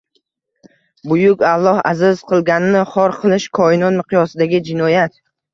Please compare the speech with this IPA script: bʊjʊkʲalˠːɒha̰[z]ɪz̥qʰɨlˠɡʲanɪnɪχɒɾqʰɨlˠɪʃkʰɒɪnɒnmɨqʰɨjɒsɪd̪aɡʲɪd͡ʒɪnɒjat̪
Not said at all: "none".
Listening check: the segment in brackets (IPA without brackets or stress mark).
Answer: z